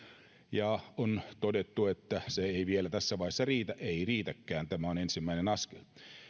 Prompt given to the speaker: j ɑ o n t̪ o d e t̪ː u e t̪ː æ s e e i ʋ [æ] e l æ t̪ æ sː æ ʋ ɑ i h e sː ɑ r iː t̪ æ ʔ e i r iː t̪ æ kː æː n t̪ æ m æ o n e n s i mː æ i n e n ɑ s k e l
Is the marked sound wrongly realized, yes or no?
yes